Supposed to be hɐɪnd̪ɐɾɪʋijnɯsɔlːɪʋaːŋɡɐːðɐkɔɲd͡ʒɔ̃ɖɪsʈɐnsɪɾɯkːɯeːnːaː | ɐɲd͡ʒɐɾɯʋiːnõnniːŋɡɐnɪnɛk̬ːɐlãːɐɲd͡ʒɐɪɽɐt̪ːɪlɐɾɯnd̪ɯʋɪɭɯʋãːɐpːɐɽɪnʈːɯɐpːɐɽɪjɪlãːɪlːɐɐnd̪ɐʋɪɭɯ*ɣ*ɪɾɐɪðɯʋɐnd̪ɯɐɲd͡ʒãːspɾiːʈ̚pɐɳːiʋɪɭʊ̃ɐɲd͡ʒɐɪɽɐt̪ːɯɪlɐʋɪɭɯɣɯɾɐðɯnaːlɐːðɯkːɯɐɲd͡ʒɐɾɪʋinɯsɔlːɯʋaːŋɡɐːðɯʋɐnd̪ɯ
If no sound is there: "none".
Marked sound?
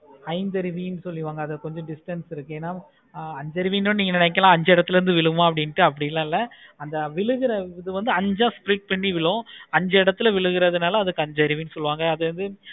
ɣ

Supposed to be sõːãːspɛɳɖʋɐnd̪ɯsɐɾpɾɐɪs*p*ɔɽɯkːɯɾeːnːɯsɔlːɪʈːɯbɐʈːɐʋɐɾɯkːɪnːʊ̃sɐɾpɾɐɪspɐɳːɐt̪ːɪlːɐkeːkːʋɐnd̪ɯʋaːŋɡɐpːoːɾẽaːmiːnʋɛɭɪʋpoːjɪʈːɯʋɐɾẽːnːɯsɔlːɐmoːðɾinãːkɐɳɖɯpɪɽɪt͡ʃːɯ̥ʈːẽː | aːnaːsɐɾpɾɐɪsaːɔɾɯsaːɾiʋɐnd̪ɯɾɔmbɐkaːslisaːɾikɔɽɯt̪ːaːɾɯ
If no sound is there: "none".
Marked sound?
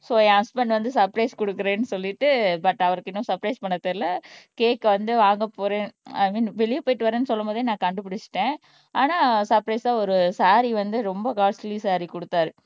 k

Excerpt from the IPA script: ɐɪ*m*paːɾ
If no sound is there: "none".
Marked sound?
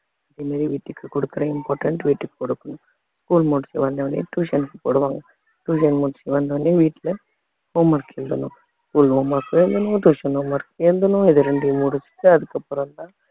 m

